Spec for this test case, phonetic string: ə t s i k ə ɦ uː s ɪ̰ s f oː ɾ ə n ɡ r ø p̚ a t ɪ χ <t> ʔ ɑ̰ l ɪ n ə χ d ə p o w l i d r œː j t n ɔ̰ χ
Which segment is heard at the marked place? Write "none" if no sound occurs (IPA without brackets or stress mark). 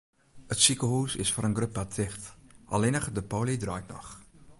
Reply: t